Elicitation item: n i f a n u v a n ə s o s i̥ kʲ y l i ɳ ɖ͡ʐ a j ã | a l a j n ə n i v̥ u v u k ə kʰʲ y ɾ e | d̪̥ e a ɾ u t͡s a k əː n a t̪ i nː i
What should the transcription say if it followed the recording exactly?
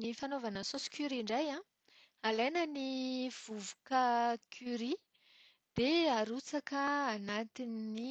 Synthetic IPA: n i f a n o v a n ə s o s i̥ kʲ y ɾ i ɳ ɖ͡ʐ a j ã | a l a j n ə n i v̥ u v u k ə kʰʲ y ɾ i | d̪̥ e a ɾ u t͡s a k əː n a t̪ i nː i